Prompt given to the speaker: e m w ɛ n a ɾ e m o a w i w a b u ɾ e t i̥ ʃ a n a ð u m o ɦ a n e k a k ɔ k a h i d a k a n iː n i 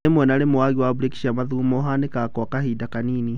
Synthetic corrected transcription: e m w ɛ n a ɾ e m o a ɣ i w a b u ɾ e k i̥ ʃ a m a ð u m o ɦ a n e k a k ɔ k a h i d a k a n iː n i